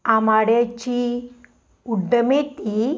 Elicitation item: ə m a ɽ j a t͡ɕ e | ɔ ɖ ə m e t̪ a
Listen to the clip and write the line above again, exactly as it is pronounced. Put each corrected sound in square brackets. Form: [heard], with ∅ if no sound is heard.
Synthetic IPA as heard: [a] m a ɽ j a t͡ɕ [i] | [u] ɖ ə m e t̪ [i]